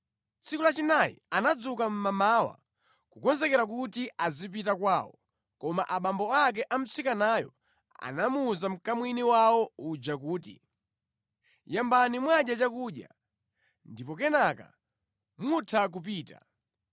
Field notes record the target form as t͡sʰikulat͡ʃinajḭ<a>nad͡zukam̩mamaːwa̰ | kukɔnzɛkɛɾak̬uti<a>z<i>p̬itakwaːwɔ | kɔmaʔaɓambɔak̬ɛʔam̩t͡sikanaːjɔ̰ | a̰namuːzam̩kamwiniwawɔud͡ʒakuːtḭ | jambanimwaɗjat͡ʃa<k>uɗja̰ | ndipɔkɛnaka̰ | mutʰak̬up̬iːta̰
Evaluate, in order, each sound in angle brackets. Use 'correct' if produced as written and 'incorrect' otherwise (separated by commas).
correct, correct, correct, correct